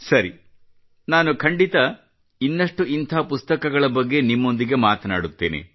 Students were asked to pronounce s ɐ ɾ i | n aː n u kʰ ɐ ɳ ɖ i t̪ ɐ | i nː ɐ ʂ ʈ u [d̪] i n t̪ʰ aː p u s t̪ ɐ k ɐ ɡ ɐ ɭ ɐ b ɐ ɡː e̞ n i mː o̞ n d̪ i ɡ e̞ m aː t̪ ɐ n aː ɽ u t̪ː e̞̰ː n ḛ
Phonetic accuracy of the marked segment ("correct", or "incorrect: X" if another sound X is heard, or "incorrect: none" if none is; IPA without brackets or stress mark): incorrect: none